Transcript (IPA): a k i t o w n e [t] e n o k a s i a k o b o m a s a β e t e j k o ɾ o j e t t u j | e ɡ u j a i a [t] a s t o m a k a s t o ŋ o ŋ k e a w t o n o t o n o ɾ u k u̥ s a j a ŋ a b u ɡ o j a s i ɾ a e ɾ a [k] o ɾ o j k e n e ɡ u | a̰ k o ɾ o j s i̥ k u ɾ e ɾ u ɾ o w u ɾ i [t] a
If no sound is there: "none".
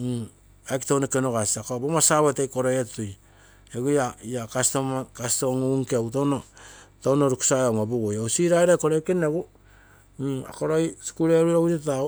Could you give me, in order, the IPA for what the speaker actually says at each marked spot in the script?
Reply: k, k, k, t

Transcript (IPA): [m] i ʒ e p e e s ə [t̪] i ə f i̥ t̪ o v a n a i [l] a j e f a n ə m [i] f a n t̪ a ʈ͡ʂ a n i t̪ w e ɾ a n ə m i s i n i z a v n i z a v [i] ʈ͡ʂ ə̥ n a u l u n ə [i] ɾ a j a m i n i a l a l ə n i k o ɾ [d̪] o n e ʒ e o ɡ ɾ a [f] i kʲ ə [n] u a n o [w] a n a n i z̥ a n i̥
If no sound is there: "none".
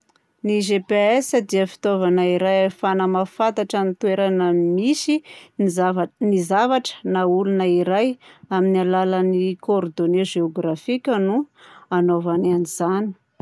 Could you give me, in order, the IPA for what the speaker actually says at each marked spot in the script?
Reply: n, d̪, ɾ, a, a, i, d̪, f, n, v

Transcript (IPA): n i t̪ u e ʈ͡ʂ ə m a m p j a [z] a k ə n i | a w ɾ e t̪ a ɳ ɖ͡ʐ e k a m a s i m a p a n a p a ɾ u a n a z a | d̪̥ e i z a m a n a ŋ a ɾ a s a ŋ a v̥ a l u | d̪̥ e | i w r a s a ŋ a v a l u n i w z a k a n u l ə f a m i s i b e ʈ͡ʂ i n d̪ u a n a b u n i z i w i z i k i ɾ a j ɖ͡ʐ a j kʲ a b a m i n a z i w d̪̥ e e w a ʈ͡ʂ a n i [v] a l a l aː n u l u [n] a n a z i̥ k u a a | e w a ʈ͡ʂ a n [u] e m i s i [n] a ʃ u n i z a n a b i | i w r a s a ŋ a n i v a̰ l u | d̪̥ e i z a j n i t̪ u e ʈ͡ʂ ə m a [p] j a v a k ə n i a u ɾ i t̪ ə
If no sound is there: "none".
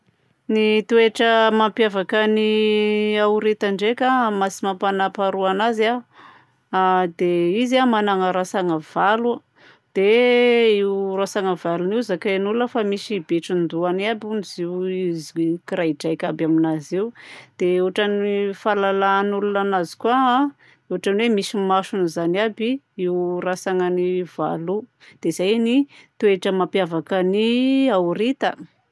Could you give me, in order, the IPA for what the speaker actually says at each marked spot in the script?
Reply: v, f, n, w, m, p

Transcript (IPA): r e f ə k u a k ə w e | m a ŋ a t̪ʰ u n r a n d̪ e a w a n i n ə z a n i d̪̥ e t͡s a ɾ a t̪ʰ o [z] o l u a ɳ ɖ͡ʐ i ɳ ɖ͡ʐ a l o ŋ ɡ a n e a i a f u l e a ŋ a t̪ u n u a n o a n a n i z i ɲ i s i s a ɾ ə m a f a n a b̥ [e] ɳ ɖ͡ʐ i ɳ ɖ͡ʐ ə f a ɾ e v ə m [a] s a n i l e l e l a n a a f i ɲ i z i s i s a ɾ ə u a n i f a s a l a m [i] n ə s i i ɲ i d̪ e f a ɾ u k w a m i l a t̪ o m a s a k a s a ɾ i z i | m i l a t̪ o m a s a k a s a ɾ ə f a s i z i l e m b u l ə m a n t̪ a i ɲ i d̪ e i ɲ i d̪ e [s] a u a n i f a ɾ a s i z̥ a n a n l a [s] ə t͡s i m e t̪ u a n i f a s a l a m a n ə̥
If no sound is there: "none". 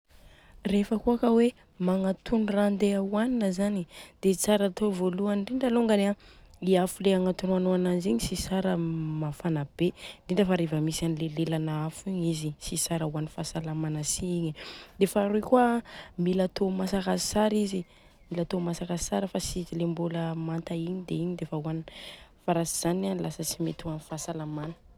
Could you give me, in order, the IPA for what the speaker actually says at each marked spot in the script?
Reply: v, e, i, a, f, s

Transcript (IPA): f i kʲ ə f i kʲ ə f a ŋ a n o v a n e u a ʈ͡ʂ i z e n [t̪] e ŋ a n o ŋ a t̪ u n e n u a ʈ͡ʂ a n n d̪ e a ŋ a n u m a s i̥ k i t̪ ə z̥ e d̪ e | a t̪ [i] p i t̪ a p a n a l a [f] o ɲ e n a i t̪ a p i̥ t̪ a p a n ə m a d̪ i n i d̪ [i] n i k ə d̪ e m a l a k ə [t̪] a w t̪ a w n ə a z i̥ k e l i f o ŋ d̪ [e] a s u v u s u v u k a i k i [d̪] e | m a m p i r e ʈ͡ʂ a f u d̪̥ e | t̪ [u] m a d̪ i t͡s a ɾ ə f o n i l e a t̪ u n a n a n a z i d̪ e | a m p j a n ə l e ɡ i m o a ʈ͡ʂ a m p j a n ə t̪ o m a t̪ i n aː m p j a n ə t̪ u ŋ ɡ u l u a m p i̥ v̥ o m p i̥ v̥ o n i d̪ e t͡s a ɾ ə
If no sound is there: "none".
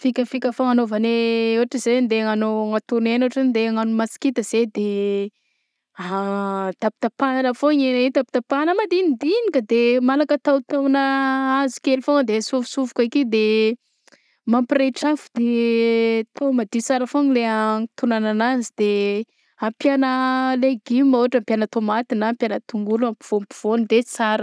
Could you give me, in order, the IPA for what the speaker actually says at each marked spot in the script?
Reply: d̪, a, f, i, t̪, e, d̪, o

